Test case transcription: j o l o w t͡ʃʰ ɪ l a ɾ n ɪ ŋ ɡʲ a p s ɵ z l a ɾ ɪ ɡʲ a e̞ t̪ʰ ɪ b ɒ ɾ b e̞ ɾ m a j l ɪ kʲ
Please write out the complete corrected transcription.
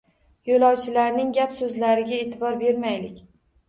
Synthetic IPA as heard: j o l ɒ w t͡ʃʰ ɪ l a ɾ n ɪ ŋ ɡʲ a p s ɵ z l a ɾ ɪ ɡʲ a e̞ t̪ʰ ɪ b ɒ ɾ b e̞ ɾ m a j l ɪ kʲ